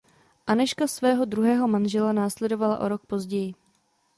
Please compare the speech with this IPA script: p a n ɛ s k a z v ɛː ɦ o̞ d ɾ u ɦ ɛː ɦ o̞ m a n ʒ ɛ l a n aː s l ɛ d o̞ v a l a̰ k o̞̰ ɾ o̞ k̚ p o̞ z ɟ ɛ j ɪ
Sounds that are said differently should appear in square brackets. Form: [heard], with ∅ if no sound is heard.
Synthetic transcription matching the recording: [ʔ] a n ɛ [ʃ] k a [s] v ɛː ɦ o̞ d ɾ u ɦ ɛː ɦ o̞ m a n ʒ ɛ l a n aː s l ɛ d o̞ v a l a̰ [ʔ] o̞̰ ɾ o̞ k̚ p o̞ z ɟ ɛ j ɪ